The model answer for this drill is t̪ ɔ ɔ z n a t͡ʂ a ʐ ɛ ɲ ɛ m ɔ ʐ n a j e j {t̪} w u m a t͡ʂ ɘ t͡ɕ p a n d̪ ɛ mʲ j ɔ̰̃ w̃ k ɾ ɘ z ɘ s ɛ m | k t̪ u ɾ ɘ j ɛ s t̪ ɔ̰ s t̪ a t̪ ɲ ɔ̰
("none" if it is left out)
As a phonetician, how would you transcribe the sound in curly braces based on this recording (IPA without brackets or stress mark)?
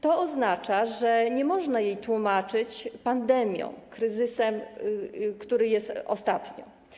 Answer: t̪